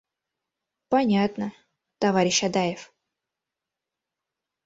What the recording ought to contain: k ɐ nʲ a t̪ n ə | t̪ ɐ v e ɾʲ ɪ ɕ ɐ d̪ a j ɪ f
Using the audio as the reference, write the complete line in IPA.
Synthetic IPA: p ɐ nʲ a t̪ n ə | t̪ ɐ v a ɾʲ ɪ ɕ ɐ d̪ a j ɪ f